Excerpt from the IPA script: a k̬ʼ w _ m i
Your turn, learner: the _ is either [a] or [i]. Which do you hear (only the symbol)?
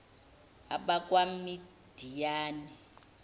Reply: a